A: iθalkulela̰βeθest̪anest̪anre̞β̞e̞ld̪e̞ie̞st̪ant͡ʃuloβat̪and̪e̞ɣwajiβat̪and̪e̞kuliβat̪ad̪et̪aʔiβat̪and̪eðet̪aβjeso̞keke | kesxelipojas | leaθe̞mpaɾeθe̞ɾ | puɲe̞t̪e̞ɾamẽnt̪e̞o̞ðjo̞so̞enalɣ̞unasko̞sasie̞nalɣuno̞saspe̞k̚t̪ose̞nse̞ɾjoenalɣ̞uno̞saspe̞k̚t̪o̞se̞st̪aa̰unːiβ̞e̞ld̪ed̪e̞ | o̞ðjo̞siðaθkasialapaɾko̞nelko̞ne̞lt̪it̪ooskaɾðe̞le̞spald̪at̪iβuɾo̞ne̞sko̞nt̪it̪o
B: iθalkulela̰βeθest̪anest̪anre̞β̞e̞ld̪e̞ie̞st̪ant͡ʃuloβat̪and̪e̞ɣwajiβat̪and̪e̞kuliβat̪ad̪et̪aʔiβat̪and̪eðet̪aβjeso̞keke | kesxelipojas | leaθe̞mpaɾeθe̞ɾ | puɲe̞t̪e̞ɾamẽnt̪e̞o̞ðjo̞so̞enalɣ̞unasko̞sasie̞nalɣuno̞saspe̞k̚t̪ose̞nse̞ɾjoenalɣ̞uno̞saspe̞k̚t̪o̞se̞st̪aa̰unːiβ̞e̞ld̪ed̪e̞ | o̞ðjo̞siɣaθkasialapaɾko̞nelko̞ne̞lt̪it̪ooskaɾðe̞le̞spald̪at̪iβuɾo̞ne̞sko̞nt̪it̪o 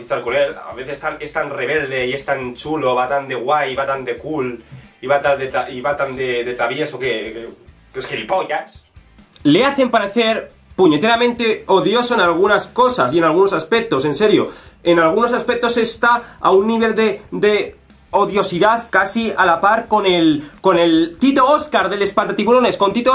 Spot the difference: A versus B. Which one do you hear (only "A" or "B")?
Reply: A